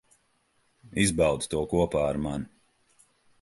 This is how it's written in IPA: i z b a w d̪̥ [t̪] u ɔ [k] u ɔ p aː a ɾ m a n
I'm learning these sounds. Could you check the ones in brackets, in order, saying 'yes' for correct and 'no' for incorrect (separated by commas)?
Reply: yes, yes